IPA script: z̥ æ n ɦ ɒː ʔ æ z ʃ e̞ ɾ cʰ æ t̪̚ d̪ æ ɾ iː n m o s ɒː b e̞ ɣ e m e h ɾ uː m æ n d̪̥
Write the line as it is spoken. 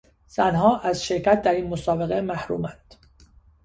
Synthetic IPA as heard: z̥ æ n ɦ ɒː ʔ æ z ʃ e̞ ɾ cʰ æ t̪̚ d̪ æ ɾ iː n m o s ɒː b e̞ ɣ e m æ h ɾ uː m æ n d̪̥